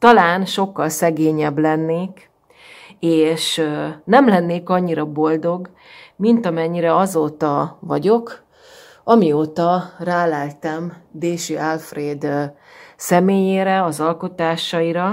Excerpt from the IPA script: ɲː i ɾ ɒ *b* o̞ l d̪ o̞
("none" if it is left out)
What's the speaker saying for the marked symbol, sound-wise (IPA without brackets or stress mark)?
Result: b